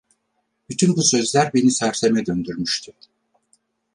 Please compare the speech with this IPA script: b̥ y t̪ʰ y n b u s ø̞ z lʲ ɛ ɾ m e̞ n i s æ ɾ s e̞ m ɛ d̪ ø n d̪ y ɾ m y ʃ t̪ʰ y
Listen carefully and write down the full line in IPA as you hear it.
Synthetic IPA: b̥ y t̪ʰ y n b u s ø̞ z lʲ æ ɾ b e̞ n i s æ ɾ s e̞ m ɛ d̪ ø n d̪ y ɾ m y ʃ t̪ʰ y